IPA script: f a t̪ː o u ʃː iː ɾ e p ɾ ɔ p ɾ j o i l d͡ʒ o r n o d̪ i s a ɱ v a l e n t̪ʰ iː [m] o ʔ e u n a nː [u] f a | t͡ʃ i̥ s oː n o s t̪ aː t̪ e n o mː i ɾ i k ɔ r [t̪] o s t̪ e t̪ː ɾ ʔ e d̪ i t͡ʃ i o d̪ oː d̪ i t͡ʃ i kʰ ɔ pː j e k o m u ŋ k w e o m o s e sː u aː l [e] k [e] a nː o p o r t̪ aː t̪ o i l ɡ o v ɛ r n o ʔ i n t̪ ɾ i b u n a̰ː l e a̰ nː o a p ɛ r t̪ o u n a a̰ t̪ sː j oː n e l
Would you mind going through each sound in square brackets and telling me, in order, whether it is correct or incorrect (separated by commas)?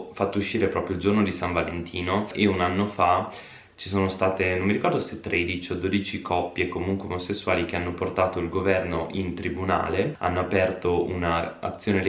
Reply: incorrect, incorrect, incorrect, incorrect, correct